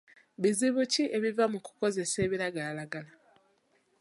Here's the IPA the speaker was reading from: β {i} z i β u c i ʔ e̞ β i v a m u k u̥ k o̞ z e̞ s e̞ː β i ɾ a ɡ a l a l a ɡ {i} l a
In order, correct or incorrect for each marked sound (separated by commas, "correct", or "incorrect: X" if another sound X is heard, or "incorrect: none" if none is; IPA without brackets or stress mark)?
correct, incorrect: a